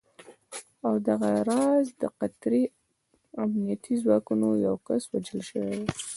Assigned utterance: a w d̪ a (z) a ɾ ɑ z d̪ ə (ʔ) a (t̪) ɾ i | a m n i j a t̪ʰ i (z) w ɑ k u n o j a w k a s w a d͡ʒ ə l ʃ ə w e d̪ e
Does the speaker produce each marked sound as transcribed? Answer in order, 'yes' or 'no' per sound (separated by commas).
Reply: no, no, yes, yes